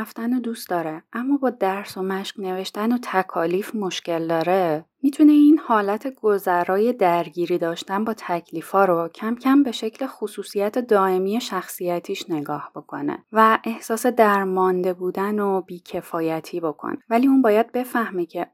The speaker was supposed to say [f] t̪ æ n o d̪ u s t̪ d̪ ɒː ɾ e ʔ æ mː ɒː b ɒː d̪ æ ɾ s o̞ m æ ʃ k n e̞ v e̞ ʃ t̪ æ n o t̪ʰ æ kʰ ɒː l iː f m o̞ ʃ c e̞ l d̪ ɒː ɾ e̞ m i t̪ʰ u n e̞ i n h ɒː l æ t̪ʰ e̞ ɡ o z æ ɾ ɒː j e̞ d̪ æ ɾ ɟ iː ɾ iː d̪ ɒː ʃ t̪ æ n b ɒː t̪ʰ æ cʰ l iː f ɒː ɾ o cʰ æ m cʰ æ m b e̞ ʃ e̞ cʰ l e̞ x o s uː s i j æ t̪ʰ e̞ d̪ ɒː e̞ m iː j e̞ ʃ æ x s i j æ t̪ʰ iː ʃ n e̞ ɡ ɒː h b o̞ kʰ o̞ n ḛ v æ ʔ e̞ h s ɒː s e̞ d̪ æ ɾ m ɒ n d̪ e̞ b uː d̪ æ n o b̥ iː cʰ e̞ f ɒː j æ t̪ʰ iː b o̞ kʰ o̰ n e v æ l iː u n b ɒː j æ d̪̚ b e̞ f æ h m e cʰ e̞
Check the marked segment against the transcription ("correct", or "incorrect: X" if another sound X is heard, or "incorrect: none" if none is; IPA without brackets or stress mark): correct